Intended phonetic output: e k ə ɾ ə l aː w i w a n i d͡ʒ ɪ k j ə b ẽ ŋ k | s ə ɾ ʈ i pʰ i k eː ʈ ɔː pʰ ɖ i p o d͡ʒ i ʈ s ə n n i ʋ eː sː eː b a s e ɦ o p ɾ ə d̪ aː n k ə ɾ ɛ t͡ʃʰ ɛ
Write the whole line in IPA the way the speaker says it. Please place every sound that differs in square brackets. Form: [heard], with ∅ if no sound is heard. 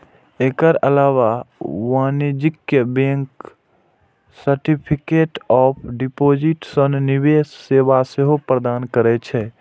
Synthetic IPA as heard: e k ə ɾ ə l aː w [a] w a n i d͡ʒ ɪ k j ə b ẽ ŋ k | s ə ɾ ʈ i pʰ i k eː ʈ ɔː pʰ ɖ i p o d͡ʒ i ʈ s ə n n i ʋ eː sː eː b a s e ɦ o p ɾ ə d̪ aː n k ə ɾ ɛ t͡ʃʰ ɛ

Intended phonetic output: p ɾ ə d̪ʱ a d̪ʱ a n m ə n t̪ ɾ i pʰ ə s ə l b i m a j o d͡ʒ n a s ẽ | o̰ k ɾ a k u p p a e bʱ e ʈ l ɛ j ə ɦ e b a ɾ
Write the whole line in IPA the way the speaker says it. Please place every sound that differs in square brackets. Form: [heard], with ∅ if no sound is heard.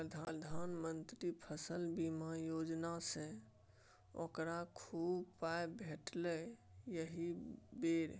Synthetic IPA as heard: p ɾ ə d̪ʱ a d̪ʱ a n m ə n t̪ ɾ i pʰ ə s ə l b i m a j o d͡ʒ n a s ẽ | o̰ k ɾ a [kʰ] u [b] p a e bʱ e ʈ l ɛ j ə ɦ [i] b [e] ɾ

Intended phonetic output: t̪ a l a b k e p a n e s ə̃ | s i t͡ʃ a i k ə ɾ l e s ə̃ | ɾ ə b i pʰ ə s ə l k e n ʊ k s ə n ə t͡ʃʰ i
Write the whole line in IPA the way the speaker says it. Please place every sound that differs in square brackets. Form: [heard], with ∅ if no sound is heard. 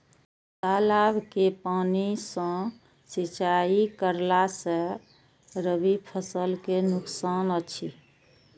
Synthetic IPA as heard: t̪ a l a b k e p a n [i] s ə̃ | s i t͡ʃ a i k ə ɾ l [a] s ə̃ | ɾ ə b i pʰ ə s ə l k e n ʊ k s [a] n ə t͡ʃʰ i

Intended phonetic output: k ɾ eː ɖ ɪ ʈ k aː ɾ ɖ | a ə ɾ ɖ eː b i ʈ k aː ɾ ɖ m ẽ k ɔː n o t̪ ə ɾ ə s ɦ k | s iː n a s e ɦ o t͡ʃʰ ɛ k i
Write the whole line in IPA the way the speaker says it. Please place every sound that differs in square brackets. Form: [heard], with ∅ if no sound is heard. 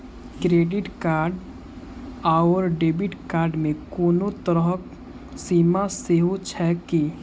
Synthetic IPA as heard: k ɾ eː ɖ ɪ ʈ k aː ɾ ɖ | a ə ɾ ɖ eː b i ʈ k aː ɾ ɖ m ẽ k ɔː n o t̪ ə ɾ ə [∅] ɦ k | s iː [m] a s e ɦ o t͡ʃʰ ɛ k i

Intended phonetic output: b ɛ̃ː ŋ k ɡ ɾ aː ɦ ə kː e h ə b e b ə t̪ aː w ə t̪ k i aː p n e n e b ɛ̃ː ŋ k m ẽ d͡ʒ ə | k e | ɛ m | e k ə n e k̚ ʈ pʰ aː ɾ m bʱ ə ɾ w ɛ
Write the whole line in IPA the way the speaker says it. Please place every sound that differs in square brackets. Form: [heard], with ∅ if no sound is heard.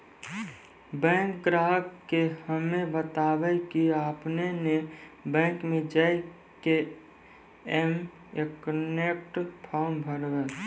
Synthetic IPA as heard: b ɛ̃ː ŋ k ɡ ɾ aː ɦ ə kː e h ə [m] e b ə t̪ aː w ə [∅] k i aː p n e n e b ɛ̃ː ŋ k m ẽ d͡ʒ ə | k e | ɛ m | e k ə n e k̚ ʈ pʰ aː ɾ m bʱ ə ɾ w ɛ

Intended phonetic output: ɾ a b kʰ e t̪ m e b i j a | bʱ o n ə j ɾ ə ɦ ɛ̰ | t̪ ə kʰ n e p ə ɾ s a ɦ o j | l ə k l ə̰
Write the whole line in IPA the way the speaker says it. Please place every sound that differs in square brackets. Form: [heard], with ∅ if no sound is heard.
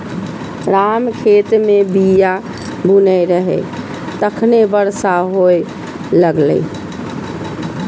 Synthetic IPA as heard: ɾ a [m] kʰ e t̪ m e b i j a | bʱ [u] n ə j ɾ ə ɦ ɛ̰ | t̪ ə kʰ n e [b] ə ɾ s a ɦ o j | l ə [ɡ] l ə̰

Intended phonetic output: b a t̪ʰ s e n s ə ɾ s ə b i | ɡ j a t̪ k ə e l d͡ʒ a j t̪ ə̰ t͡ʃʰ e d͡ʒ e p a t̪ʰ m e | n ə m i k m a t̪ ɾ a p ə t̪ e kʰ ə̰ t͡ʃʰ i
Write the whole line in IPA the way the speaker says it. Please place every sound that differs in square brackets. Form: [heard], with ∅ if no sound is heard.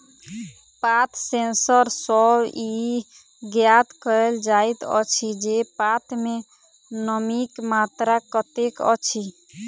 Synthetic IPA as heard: [p] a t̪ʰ s e n s ə ɾ s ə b i | ɡ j a t̪ k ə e l d͡ʒ a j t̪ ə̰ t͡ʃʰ [i] d͡ʒ e p a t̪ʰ m e | n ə m i k m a t̪ ɾ a [k] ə t̪ e [k] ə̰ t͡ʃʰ i

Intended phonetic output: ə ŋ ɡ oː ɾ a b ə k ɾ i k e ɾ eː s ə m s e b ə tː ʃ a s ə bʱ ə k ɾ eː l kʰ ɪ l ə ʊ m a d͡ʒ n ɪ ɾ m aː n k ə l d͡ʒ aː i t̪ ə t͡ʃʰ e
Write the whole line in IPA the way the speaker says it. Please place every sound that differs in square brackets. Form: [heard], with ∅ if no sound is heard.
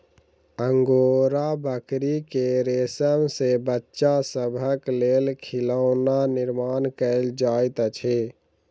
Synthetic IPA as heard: ə ŋ ɡ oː ɾ a b ə k ɾ i k e ɾ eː s ə m s e b ə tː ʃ a s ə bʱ ə k [l] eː l kʰ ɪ l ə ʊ [n] a [∅] n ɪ ɾ m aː n k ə l d͡ʒ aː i t̪ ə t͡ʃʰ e

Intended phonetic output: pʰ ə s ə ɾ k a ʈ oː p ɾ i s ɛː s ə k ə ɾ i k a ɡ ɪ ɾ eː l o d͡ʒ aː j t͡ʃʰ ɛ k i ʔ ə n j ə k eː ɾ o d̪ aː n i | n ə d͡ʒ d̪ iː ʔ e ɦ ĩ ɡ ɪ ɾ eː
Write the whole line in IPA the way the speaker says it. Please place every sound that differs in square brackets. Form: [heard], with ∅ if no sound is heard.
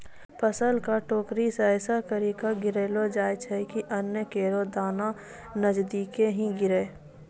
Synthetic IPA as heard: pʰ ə s ə [l] k a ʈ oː [k] ɾ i s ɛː s [a] k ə ɾ i k a ɡ ɪ ɾ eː l o d͡ʒ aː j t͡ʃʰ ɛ k i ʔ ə n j ə k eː ɾ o d̪ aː n [a] | n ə d͡ʒ d̪ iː [k] e ɦ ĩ ɡ ɪ ɾ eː

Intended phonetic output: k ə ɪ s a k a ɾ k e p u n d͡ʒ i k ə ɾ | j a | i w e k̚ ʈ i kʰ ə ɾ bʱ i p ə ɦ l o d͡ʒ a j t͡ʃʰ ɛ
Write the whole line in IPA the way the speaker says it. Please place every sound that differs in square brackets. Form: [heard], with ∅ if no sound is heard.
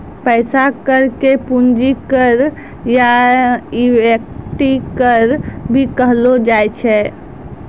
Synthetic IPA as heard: [p] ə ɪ s a k [ə] ɾ k e p u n d͡ʒ i k ə ɾ | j a | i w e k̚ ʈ i [k] ə ɾ bʱ i [k] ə ɦ l o d͡ʒ a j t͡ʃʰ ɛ

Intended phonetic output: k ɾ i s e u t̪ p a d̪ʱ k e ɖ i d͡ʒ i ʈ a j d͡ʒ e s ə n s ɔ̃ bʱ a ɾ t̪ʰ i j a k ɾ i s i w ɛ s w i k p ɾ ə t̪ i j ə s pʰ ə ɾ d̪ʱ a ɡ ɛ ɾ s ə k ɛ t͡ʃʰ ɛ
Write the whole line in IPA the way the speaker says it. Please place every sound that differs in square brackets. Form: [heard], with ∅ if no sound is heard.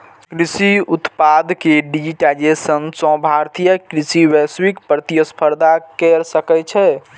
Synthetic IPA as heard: k ɾ i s [i] u t̪ p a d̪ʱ k e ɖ i d͡ʒ i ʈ a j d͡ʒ e s ə n s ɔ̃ bʱ a ɾ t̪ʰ i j [ə] k ɾ i s i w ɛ s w i k p ɾ ə t̪ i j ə s pʰ ə ɾ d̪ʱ a [k] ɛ ɾ s ə k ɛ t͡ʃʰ ɛ

